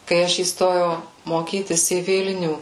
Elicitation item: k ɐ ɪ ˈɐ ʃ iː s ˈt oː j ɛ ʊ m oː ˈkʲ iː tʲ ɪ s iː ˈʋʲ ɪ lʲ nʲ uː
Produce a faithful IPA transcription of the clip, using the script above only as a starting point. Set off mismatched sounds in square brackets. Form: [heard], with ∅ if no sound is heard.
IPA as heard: k ɐ ɪ ˈɐ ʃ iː s ˈt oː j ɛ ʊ m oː ˈkʲ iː tʲ ɪ s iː ˈʋʲ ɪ lʲ nʲ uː